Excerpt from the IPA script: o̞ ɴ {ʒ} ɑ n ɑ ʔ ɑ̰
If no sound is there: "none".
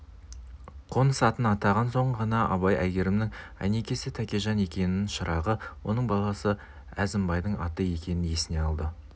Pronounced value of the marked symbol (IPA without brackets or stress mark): ʁ